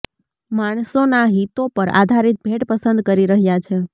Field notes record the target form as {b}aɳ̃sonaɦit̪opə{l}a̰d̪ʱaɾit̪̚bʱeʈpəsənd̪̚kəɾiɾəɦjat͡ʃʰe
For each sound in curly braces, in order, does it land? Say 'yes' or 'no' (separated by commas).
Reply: no, no